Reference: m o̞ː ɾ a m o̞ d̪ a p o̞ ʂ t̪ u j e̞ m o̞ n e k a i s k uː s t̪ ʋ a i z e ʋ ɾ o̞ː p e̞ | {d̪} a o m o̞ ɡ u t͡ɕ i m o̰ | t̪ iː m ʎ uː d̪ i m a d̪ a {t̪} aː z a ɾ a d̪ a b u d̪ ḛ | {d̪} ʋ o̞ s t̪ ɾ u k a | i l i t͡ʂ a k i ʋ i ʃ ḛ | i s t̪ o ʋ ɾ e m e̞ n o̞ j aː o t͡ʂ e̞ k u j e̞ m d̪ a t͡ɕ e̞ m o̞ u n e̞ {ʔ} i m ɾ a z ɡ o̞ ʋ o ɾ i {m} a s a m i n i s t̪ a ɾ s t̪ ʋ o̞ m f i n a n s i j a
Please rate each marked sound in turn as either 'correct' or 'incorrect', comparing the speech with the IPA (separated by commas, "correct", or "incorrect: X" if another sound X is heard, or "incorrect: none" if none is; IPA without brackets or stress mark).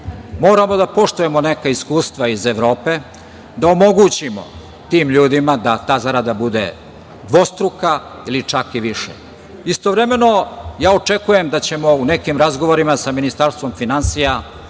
correct, correct, correct, incorrect: k, correct